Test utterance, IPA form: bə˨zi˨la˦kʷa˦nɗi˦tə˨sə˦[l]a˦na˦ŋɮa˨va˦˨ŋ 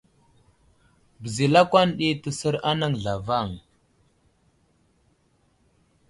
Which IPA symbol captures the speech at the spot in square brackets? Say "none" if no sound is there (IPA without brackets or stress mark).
ɾ